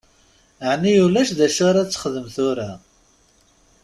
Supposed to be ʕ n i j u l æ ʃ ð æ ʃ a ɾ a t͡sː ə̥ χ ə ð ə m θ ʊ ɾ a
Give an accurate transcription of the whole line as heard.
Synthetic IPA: ʕ n i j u l æ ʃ ð æ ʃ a ɾ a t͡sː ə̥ χ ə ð ə m θ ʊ ɾ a